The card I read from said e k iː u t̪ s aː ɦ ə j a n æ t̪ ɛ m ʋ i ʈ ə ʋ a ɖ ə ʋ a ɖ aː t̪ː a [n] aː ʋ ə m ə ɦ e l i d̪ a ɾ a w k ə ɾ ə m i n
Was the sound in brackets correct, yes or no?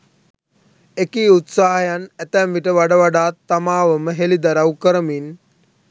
no